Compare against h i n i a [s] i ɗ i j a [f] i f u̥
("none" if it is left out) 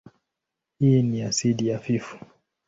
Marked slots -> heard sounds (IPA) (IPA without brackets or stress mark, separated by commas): s, f